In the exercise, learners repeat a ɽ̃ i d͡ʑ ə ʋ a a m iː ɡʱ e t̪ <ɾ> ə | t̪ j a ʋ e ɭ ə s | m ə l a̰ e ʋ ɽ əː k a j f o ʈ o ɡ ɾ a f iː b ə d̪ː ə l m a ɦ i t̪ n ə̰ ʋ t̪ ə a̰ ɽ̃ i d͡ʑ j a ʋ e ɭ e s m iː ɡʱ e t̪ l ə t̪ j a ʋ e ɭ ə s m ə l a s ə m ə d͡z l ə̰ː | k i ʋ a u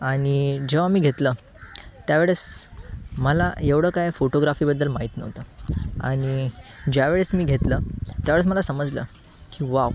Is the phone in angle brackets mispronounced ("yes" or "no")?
yes